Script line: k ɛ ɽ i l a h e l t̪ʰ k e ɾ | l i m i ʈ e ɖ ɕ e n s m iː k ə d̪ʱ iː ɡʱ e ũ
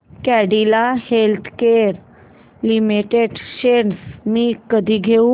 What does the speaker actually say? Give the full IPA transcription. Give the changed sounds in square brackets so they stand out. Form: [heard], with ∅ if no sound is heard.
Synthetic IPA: k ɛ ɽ i l a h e l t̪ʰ k e ɾ | l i m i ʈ e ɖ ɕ e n s m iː k ə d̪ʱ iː ɡʱ e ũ

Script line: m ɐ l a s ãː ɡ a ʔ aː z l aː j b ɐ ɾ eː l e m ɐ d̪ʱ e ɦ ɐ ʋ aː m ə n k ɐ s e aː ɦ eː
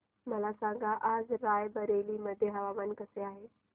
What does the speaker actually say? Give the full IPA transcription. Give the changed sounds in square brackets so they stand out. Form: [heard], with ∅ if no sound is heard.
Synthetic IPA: m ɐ l a s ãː ɡ a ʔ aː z [ɾ] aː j b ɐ ɾ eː l [i] m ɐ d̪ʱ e ɦ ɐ ʋ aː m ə n k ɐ s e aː ɦ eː

